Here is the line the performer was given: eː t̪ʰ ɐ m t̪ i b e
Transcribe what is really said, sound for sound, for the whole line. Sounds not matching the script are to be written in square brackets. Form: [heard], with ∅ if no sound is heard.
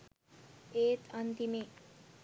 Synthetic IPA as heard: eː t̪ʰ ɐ [n] t̪ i [m] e